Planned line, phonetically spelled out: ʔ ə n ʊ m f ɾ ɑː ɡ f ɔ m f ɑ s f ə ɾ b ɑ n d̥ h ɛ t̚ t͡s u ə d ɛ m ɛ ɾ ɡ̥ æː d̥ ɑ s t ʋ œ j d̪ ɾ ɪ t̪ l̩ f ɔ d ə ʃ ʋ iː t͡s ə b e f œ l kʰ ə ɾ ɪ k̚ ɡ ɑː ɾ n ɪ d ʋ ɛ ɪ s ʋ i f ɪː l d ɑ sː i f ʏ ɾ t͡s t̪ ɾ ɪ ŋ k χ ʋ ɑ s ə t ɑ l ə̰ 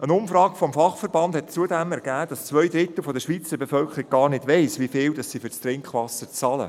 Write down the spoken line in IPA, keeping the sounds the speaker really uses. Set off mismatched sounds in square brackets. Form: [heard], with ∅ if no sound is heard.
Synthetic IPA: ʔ ə n ʊ m f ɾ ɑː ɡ f ɔ m f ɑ [χ] f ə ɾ b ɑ n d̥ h ɛ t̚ t͡s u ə d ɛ m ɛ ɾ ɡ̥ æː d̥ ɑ s [t͡s] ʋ œ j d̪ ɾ ɪ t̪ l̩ f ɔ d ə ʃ ʋ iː t͡s ə b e f œ l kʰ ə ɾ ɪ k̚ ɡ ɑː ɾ n ɪ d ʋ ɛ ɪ s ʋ i f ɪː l d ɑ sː i f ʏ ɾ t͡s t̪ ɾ ɪ ŋ k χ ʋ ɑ s ə [t͡s] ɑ l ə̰